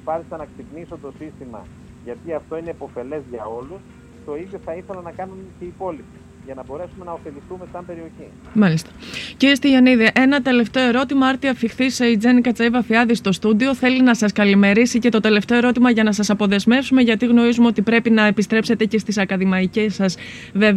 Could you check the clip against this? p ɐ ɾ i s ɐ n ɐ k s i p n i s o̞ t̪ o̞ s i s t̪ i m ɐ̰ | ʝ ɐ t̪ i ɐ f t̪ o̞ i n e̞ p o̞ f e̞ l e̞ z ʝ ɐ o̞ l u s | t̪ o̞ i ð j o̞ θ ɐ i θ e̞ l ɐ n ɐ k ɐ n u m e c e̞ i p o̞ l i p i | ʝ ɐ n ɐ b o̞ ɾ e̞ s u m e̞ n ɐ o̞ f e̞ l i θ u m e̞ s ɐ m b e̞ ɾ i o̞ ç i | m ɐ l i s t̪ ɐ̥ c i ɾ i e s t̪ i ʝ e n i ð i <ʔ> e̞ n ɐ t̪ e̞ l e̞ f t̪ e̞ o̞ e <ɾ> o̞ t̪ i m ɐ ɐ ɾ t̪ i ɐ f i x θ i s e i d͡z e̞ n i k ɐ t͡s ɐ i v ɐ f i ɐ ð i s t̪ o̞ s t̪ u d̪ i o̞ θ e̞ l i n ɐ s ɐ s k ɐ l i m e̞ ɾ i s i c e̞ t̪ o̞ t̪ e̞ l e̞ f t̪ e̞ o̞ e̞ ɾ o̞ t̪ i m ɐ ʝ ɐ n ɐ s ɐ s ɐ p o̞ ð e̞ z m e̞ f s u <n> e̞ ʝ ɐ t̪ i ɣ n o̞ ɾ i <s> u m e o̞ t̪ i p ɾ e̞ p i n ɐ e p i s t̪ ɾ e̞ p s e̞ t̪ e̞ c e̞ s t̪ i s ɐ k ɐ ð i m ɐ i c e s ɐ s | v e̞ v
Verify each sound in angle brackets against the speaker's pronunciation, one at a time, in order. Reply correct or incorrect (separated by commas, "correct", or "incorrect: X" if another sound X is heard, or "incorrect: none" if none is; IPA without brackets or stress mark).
correct, correct, incorrect: m, incorrect: z